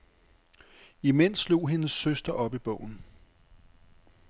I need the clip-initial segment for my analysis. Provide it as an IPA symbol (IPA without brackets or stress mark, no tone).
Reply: i